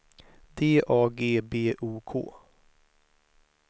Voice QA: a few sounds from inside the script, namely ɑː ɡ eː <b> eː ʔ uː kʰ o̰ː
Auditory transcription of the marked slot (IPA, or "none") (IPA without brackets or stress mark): b